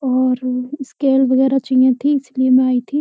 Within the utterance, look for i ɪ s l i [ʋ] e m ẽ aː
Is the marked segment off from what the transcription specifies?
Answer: yes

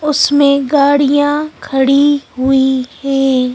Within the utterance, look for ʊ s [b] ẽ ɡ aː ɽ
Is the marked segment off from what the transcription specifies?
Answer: yes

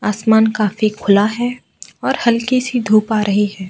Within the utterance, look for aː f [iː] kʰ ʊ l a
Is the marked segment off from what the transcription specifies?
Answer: yes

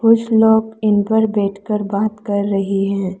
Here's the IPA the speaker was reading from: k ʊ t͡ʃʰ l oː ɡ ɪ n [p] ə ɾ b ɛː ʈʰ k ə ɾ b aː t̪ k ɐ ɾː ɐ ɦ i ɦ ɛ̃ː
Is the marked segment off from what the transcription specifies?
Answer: no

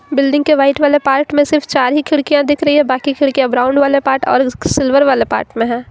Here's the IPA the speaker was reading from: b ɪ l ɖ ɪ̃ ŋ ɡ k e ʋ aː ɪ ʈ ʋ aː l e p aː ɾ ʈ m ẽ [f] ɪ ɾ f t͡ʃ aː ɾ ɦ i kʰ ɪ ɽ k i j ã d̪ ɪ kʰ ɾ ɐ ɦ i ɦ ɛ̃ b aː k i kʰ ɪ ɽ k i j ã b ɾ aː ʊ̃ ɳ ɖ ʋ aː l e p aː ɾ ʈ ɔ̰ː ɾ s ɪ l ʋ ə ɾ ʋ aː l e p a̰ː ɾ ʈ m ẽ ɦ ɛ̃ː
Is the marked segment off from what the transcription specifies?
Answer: yes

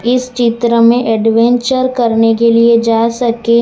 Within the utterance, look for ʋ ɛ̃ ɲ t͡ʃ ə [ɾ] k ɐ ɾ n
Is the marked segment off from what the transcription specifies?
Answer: no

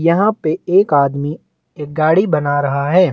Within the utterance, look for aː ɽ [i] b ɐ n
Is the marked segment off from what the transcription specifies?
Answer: no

